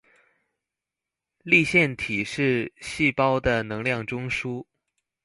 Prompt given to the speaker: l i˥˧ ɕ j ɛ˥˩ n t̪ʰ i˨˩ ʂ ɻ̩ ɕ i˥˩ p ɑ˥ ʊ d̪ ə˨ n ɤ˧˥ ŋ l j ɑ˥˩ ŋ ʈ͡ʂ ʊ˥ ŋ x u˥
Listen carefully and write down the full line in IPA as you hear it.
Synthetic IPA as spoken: l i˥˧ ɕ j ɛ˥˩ n t̪ʰ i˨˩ ʂ ɻ̩ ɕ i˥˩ p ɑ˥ ʊ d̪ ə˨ n ɤ˧˥ ŋ l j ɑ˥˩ ŋ ʈ͡ʂ ʊ˥ ŋ ʂ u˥